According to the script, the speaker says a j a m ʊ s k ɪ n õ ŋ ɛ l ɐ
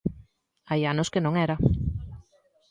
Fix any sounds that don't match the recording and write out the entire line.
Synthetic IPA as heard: a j a n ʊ s k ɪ n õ ŋ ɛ ɾ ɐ